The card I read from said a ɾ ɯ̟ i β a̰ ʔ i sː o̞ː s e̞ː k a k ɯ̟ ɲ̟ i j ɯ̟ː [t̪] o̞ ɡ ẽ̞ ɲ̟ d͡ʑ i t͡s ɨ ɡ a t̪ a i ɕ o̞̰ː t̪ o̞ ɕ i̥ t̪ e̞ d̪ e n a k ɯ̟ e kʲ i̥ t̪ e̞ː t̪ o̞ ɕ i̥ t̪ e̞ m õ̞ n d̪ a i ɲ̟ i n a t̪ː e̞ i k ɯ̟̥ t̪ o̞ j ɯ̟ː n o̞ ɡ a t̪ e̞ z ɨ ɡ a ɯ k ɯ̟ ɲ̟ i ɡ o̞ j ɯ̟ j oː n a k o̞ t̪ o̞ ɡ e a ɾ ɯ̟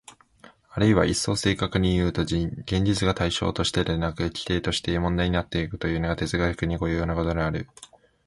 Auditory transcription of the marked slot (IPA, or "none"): t̪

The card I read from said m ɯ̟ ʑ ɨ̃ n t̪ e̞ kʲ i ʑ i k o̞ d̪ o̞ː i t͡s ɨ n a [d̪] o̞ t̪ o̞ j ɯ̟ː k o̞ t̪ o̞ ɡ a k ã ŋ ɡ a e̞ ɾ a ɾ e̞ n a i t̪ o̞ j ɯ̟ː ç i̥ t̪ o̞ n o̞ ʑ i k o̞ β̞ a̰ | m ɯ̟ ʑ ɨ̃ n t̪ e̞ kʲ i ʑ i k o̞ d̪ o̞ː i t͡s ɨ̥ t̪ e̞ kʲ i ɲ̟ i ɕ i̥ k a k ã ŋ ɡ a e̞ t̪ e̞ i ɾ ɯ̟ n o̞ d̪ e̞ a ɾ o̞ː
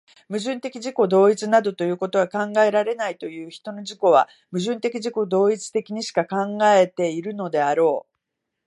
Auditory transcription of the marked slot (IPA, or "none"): d̪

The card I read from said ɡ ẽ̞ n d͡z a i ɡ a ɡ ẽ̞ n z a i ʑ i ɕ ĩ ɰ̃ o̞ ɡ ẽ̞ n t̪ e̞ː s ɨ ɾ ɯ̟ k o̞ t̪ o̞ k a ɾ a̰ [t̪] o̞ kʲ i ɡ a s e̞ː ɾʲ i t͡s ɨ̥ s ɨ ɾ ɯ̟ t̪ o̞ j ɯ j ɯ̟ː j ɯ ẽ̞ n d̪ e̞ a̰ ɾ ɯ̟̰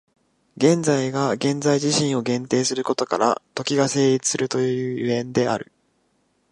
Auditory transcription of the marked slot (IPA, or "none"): t̪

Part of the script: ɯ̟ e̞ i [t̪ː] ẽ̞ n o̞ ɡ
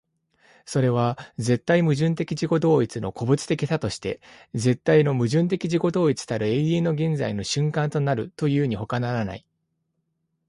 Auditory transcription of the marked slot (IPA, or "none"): none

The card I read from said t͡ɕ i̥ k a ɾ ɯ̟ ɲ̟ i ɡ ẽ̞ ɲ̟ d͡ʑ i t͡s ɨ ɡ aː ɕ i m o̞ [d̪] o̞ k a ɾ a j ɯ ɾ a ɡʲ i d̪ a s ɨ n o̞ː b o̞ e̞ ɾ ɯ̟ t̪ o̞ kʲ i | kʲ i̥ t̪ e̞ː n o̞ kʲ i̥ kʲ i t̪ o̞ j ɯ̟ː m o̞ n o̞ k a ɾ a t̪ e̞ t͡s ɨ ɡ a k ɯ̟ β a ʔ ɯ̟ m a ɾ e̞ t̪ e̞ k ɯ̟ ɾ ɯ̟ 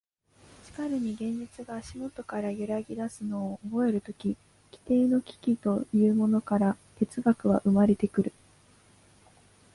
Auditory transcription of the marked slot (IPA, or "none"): t̪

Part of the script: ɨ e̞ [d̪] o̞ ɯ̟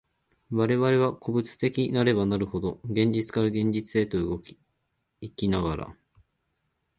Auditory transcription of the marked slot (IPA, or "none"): t̪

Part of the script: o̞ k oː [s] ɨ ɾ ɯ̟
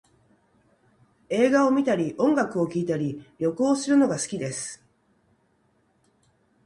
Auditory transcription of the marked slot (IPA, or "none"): s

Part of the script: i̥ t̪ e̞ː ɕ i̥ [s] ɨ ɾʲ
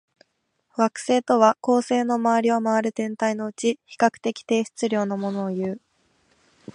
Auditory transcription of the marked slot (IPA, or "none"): t͡s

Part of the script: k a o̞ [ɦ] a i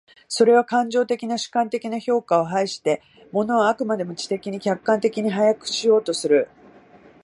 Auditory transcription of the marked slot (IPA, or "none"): ɦ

